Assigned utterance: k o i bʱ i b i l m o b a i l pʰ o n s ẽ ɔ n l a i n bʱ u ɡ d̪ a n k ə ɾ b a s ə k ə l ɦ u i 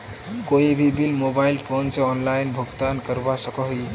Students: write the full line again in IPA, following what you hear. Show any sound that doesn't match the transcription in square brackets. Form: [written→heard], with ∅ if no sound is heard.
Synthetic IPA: k o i bʱ i b i l m o b a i l pʰ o n s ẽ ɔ n l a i n bʱ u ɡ [d̪→t̪] a n k ə ɾ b a s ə k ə [l→∅] ɦ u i